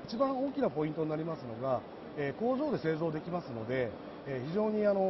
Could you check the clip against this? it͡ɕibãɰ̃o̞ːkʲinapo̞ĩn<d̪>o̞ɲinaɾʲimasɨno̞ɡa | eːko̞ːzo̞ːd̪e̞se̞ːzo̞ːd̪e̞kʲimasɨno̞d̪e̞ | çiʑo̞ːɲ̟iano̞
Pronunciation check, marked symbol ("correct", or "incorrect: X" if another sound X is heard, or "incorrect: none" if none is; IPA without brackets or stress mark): incorrect: t̪